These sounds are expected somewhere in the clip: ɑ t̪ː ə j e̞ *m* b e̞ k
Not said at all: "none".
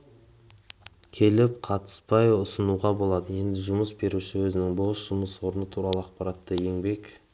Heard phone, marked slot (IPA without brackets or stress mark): ŋ